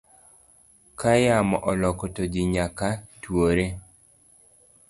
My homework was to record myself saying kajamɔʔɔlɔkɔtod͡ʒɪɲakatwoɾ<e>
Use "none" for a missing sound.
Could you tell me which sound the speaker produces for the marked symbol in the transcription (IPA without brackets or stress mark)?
e